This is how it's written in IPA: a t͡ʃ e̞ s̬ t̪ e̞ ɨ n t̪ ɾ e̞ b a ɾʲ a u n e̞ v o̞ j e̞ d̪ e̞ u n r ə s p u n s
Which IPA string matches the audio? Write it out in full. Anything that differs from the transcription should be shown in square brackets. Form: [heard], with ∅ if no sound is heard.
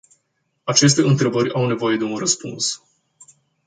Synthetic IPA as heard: a t͡ʃ e̞ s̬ t̪ e̞ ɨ n t̪ ɾ e̞ b [ə] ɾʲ a [w] n e̞ v o̞ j e̞ d̪ e̞ u n r ə s p u n s